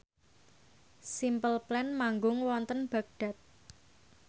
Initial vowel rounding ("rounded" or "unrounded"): unrounded